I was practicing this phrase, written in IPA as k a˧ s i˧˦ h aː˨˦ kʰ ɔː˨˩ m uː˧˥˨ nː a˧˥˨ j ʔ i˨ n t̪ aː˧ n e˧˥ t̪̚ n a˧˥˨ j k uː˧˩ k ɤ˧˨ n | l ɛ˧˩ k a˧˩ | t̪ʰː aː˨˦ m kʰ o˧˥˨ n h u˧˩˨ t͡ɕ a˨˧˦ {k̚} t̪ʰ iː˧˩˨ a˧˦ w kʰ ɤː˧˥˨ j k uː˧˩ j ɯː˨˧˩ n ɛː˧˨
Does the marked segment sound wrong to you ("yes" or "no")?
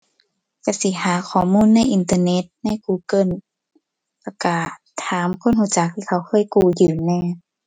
no